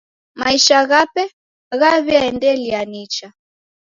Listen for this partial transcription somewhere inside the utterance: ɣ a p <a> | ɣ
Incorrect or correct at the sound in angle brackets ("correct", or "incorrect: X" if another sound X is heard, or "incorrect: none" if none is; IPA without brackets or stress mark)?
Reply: incorrect: ɛ